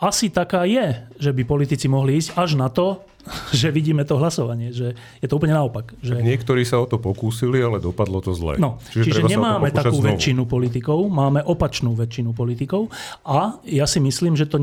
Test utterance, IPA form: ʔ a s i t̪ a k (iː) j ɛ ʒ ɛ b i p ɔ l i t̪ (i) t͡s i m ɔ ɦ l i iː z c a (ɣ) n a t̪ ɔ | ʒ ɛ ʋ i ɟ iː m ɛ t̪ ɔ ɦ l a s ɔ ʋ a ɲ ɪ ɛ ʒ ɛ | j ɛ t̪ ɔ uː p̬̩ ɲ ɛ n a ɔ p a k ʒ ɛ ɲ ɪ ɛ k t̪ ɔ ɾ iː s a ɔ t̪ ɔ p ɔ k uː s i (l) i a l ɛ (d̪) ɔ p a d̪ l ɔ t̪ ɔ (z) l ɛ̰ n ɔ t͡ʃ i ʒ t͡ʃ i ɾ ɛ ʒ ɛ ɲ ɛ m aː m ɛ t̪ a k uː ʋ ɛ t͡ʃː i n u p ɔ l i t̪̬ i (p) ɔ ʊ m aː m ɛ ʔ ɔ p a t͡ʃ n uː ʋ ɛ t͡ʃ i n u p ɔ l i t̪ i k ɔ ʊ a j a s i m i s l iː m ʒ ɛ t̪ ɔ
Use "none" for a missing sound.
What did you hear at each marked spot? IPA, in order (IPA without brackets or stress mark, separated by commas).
aː, i, ʒ, l, d̪, z, k